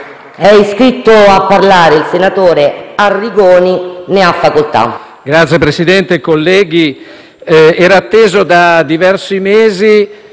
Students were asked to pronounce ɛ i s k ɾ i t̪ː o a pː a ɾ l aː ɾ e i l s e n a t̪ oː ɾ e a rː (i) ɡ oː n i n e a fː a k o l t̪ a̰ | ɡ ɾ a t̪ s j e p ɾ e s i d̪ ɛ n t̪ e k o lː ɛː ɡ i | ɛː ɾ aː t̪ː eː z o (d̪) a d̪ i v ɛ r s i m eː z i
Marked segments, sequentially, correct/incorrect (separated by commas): correct, correct